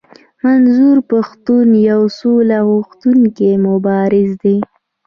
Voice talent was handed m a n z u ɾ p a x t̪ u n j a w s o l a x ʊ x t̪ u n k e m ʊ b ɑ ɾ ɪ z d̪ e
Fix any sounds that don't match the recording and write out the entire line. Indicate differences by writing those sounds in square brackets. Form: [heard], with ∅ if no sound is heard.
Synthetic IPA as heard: m a n z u ɾ p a x t̪ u n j a w s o l a [ɣ] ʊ x t̪ u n k e m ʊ b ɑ ɾ ɪ z d̪ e